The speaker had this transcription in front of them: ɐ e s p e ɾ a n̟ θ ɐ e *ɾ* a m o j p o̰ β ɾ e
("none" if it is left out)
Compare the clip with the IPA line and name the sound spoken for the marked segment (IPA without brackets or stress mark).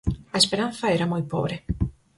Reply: ɾ